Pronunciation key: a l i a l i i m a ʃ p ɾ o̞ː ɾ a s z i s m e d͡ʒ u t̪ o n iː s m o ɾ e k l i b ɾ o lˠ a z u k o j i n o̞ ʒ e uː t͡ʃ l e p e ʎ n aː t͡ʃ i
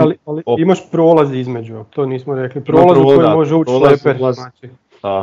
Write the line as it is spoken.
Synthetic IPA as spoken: a l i a l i i m a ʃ p ɾ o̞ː l a z i z m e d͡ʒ u t̪ o n iː s m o ɾ e k l i p ɾ o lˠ a z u k o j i m o̞ ʒ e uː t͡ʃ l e p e ɾ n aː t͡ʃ i